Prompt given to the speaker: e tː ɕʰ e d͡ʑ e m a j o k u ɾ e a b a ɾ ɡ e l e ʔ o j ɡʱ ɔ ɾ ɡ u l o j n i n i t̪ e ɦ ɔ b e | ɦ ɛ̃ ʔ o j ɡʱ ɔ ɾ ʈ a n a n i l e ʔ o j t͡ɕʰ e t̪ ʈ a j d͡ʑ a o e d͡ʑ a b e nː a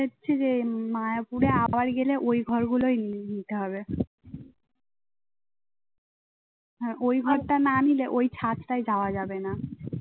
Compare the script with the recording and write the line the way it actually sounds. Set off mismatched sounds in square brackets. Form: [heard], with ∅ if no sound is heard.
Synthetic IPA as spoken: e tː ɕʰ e d͡ʑ e m a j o [p] u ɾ e a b a ɾ ɡ e l e ʔ o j ɡʱ ɔ ɾ ɡ u l o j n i n i t̪ e ɦ ɔ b e | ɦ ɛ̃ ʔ o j ɡʱ ɔ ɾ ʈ a n a n i l e ʔ o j t͡ɕʰ [a] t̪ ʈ a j d͡ʑ a o [a] d͡ʑ a b e [n] a